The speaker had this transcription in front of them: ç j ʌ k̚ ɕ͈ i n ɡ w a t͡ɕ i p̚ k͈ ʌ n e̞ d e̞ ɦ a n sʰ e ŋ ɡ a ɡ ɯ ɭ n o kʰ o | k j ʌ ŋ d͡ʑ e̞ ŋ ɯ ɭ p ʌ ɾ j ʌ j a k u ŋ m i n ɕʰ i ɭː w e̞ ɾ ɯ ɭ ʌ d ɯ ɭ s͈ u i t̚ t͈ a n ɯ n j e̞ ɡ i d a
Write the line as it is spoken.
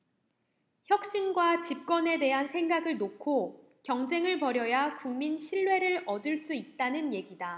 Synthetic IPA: ç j ʌ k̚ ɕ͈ i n ɡ w a t͡ɕ i p̚ k͈ ʌ n e̞ d e̞ ɦ a n sʰ e ŋ ɡ a ɡ ɯ ɭ n o kʰ o | k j ʌ ŋ d͡ʑ e̞ ŋ ɯ ɭ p ʌ ɾ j ʌ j a k u ŋ m i n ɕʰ i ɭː w e̞ ɾ ɯ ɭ ʌ d ɯ ɭ s͈ u i t̚ t͈ a n ɯ n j e̞ ɡ i d a